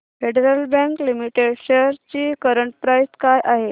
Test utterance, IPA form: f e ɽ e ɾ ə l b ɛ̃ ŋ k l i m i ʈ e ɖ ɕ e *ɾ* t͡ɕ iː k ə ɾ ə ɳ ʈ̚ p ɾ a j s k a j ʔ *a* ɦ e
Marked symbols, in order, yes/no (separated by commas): yes, yes